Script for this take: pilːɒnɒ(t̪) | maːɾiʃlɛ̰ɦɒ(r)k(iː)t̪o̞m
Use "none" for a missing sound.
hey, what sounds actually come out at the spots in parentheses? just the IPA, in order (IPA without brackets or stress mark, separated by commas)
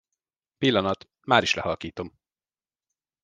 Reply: t̪, l, iː